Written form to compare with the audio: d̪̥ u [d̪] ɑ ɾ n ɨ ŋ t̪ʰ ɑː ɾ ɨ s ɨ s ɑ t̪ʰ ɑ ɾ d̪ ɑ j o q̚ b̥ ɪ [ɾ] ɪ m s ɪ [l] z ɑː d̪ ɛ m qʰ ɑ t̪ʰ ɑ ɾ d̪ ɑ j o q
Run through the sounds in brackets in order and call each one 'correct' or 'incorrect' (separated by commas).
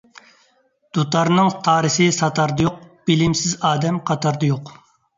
incorrect, incorrect, incorrect